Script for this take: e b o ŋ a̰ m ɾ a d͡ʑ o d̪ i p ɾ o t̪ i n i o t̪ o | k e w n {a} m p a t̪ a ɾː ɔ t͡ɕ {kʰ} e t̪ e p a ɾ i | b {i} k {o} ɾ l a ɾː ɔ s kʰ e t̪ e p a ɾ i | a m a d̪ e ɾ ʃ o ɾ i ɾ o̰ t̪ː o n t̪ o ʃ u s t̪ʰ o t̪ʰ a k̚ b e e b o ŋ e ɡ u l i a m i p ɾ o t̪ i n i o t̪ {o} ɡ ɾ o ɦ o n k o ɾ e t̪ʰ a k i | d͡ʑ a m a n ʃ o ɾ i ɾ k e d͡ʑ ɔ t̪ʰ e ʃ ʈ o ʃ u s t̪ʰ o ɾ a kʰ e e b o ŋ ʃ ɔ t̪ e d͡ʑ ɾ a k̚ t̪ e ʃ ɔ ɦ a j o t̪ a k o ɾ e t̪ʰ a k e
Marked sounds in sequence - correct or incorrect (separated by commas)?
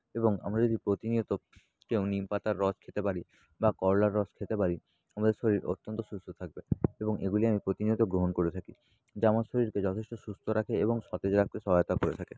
incorrect, correct, incorrect, incorrect, correct